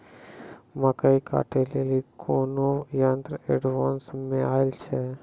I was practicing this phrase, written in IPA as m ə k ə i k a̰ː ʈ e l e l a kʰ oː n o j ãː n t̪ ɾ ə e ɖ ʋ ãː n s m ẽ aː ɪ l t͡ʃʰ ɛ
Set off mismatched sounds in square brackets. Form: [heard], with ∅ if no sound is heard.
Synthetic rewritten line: m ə k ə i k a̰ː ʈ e l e l [i] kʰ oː n o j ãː n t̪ ɾ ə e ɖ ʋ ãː n s m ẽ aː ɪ l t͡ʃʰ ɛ